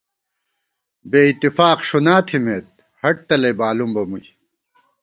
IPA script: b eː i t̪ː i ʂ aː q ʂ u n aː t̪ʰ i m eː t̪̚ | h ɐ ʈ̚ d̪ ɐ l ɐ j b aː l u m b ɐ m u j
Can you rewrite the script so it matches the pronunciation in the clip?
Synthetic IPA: b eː i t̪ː i f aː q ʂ u n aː t̪ʰ i m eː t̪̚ | h ɐ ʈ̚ t̪ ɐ l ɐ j b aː l u m b ɐ m u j